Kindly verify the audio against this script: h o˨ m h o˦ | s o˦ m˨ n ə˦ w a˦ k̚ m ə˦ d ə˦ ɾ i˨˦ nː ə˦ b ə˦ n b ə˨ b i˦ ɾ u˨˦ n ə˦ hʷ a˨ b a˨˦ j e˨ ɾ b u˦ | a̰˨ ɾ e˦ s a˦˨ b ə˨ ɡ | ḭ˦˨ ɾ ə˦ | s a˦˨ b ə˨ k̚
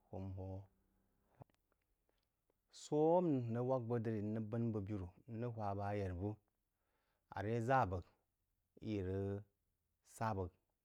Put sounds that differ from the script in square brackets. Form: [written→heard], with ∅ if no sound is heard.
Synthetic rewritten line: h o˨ m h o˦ | s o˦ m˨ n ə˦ w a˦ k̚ [m→b] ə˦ d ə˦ ɾ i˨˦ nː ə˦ b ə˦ n b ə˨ b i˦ ɾ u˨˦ n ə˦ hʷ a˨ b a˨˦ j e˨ ɾ b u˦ | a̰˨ ɾ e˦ [s→z] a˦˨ b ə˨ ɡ | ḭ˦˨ ɾ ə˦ | s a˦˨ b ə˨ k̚